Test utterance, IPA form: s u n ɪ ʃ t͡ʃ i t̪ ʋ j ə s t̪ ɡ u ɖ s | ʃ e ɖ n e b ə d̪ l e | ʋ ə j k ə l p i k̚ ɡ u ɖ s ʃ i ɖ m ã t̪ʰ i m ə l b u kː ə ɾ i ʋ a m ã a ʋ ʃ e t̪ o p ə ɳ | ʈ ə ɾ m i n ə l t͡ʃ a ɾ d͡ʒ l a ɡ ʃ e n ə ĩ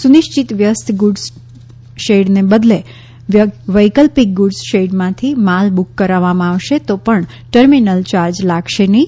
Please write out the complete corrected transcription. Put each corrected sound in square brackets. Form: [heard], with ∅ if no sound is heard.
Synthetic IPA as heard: s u n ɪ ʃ t͡ʃ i t̪ ʋ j ə s t̪ ɡ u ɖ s | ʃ e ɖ n e b ə d̪ l e | ʋ ə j k ə l p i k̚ ɡ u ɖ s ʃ [e] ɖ m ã t̪ʰ i m [a] l b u kː ə ɾ [a] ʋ a m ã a ʋ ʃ e t̪ o p ə ɳ | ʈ ə ɾ m i n ə l t͡ʃ a ɾ d͡ʒ l a ɡ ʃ e n ə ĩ